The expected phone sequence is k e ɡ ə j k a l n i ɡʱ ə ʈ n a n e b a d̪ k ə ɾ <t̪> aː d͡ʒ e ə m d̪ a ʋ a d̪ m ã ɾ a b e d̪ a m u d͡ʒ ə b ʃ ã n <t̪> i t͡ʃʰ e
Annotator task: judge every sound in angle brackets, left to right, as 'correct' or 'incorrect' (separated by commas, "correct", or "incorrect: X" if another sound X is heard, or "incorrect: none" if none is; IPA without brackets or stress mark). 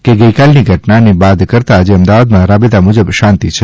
correct, correct